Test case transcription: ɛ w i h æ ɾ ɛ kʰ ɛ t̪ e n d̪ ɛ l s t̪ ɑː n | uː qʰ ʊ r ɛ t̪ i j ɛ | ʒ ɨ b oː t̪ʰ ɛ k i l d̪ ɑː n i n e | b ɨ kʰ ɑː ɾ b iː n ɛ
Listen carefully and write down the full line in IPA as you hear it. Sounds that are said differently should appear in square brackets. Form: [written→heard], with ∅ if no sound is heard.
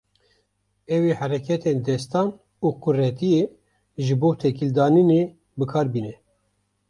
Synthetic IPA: ɛ w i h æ ɾ ɛ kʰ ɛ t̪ e n d̪ ɛ [l→∅] s t̪ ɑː n | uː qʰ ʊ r ɛ t̪ i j [ɛ→e] | ʒ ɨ b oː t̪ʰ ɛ k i l d̪ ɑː n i n e | b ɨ kʰ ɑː ɾ b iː n ɛ